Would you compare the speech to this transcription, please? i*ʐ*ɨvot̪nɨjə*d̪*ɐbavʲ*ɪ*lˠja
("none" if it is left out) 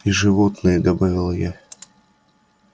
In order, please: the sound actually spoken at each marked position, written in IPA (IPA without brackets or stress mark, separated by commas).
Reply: ʐ, d̪, ɪ